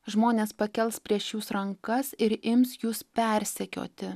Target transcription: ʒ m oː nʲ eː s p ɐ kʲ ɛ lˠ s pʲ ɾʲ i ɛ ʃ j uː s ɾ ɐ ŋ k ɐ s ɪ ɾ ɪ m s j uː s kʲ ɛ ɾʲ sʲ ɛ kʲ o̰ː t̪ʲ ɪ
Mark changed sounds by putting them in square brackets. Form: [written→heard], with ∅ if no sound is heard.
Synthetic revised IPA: ʒ m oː nʲ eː s p ɐ kʲ ɛ lˠ s pʲ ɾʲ i ɛ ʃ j uː s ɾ ɐ ŋ k ɐ s ɪ ɾ ɪ m s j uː s [kʲ→pʲ] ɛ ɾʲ sʲ ɛ kʲ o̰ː t̪ʲ ɪ